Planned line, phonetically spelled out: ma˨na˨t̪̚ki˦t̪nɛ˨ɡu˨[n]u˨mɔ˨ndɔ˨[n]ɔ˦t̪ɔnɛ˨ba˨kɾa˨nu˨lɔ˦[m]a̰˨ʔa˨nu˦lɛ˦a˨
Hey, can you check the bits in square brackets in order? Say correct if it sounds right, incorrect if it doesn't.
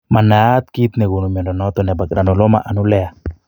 correct, correct, correct

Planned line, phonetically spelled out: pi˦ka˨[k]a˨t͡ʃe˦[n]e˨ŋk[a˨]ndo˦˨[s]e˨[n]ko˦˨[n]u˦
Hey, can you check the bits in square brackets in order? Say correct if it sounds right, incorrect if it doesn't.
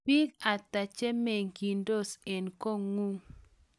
incorrect, incorrect, incorrect, correct, correct, incorrect

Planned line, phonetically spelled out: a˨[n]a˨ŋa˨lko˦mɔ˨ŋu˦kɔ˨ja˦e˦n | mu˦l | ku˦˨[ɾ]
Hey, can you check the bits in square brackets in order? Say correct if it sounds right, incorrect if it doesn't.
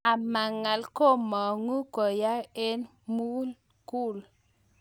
incorrect, incorrect

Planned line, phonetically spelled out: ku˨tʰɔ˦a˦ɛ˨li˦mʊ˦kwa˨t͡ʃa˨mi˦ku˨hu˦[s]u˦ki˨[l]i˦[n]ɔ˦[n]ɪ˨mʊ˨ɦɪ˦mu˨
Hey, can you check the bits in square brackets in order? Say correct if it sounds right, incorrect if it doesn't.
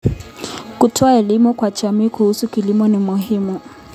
correct, correct, incorrect, correct

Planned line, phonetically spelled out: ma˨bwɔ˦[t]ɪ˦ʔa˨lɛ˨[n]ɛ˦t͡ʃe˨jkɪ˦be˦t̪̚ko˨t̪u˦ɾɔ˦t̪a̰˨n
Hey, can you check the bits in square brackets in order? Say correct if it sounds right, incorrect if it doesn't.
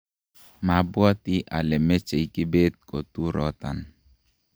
correct, incorrect

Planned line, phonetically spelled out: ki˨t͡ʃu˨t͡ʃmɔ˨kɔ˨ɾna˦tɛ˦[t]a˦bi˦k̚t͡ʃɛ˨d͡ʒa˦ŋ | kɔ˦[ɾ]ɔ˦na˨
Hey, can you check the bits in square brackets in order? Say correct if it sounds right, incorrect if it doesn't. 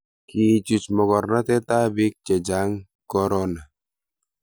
correct, correct

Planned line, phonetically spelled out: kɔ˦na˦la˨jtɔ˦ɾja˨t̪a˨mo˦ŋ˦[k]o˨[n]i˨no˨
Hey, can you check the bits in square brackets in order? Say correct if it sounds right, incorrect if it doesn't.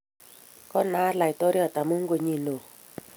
incorrect, incorrect

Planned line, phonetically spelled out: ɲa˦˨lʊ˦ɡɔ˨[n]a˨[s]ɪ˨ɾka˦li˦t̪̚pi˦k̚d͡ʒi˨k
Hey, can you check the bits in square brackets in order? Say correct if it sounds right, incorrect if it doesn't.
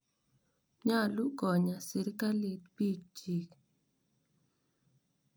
incorrect, correct

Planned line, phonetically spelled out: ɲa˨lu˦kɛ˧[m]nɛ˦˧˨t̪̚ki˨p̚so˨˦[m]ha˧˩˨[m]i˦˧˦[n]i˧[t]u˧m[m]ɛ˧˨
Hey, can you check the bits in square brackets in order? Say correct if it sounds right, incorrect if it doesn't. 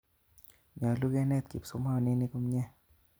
incorrect, correct, incorrect, correct, incorrect, incorrect

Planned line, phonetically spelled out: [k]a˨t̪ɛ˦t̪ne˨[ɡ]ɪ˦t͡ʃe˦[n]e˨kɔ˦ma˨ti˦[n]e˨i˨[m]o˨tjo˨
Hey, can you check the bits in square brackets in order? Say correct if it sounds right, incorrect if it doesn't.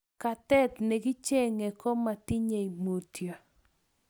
correct, correct, incorrect, incorrect, correct

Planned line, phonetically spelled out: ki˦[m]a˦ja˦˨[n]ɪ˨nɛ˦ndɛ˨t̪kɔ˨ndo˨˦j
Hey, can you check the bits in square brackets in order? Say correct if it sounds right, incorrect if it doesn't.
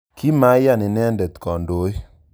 correct, correct

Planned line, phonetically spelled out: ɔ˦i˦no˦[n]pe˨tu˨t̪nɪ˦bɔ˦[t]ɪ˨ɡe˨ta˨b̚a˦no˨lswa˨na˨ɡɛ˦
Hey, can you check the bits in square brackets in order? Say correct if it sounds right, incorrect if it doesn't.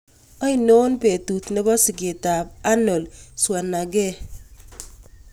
correct, incorrect

